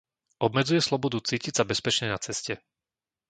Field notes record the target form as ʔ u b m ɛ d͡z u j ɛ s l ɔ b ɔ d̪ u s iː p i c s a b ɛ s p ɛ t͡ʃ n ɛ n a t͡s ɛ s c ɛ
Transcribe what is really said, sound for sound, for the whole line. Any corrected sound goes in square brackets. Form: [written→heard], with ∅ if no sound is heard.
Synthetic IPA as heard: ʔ [u→ɔ] b m ɛ d͡z u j ɛ s l ɔ b ɔ d̪ u [s→t͡s] iː [p→c] i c s a b ɛ s p ɛ t͡ʃ [n→ɲ] ɛ n a t͡s ɛ s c ɛ